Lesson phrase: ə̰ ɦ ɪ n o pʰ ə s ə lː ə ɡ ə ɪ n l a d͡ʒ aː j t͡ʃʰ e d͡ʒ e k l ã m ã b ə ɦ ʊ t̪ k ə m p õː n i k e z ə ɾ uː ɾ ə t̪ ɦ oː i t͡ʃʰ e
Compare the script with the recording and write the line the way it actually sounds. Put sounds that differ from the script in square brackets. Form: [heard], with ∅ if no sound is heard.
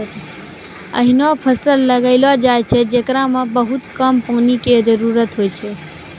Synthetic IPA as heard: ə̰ ɦ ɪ n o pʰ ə s ə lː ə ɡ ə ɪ [∅] l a d͡ʒ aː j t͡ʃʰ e d͡ʒ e k [ɾ] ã m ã b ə ɦ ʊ t̪ k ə m p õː n i k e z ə ɾ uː ɾ ə t̪ ɦ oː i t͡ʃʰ e